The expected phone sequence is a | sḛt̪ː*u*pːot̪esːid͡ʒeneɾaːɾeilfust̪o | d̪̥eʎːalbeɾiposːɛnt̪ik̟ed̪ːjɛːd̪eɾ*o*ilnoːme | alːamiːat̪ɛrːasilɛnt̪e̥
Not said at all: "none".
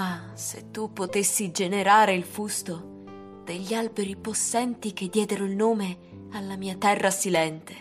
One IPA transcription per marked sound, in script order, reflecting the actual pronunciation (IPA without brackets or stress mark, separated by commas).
u, o